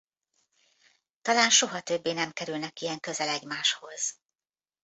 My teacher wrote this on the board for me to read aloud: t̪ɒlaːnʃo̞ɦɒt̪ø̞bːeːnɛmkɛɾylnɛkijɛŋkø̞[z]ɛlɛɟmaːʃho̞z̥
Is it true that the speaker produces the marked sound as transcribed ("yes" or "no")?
yes